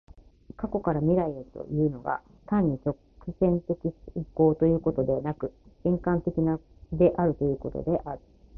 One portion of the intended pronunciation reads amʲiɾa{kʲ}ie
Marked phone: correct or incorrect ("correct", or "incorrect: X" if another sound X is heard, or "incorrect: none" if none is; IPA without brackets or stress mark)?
incorrect: none